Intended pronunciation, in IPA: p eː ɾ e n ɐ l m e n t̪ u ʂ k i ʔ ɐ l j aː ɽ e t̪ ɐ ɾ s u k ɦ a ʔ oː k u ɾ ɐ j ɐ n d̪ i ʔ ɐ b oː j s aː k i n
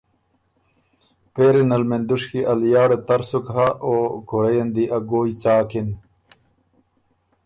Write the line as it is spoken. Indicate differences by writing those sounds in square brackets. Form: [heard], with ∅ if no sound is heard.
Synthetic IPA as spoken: p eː ɾ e n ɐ l m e n [d̪] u ʂ k i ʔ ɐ l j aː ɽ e t̪ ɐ ɾ s u k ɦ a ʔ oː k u ɾ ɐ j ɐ n d̪ i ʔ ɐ [ɡ] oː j [t͡s] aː k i n